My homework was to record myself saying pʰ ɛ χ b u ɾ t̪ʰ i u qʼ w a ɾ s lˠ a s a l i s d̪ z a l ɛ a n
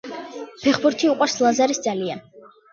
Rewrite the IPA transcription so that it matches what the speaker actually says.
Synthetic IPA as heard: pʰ ɛ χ b u ɾ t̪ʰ i u qʼ w a ɾ s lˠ a z a ɾ i s d̪ z a l i a n

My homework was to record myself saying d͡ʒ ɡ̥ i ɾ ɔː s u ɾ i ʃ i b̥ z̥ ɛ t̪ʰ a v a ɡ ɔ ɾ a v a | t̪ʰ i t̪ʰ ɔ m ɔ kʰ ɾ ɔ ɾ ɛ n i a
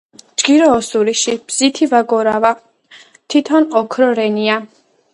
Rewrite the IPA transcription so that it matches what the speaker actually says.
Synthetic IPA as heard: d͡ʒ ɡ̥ i ɾ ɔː s u ɾ i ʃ i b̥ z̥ i t̪ʰ i v a ɡ ɔ ɾ a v a | t̪ʰ i t̪ʰ ɔ n ɔ kʰ ɾ ɔ ɾ ɛ n i a

